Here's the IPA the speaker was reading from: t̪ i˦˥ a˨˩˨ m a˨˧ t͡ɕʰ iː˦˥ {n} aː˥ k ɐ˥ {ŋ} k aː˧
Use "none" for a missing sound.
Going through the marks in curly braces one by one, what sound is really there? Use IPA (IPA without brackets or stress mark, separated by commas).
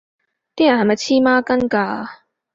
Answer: m, n